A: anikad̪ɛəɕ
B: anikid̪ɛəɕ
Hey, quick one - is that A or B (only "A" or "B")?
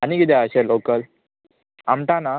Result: B